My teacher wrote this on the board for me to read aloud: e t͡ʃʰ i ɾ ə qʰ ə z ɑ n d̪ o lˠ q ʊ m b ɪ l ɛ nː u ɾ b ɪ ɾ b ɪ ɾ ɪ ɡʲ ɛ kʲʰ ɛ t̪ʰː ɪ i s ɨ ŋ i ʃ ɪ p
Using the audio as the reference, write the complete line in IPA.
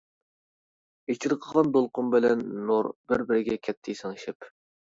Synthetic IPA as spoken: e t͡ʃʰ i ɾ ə qʰ ə ʁ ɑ n d̪ o lˠ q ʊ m b ɪ l ɛ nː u ɾ b ɪ ɾ b ɪ ɾ ɪ ɡʲ ɛ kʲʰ ɛ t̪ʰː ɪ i s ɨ ŋ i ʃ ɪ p

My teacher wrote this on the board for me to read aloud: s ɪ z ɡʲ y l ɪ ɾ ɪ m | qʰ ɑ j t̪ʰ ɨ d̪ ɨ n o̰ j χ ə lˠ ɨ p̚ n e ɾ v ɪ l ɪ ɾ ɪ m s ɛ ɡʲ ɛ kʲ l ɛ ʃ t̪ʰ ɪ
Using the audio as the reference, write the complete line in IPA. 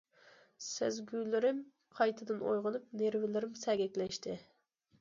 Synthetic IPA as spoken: s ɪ z ɡʲ y l ɪ ɾ ɪ m | qʰ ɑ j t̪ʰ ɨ d̪ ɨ n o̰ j ʁ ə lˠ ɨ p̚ n e ɾ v ɪ l ɪ ɾ ɪ m s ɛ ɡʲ ɛ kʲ l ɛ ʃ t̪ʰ ɪ

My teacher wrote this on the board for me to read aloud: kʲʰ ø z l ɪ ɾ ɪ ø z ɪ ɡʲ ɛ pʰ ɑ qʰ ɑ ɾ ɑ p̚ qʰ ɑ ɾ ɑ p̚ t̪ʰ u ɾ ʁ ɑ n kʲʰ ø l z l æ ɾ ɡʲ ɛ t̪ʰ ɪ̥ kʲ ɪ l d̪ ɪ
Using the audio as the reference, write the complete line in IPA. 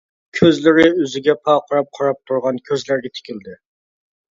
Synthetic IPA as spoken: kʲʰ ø z l ɪ ɾ ɪ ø z ɪ ɡʲ ɛ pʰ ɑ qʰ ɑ ɾ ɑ p̚ qʰ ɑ ɾ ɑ p̚ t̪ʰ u ɾ ʁ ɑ n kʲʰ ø z l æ ɾ ɡʲ ɛ t̪ʰ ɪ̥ kʲ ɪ l d̪ ɪ

